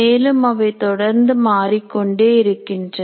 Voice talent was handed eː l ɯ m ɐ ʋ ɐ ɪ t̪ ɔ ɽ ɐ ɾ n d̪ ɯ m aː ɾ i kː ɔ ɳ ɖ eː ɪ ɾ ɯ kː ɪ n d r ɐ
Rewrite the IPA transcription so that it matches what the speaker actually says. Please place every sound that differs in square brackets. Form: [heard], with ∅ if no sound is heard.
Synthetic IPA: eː l ɯ m ɐ ʋ ɐ ɪ t̪ ɔ ɽ ɐ ɾ n d̪ ɯ m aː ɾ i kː ɔ ɳ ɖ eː ɪ ɾ ɯ kː ɪ n d r ɐ